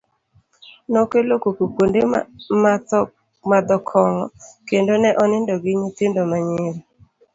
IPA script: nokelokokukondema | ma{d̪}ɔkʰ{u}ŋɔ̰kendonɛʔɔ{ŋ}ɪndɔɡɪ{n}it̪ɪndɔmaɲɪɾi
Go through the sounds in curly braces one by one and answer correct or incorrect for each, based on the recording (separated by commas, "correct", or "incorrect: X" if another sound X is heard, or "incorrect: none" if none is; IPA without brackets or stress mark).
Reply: correct, incorrect: ɔ, incorrect: n, incorrect: ɲ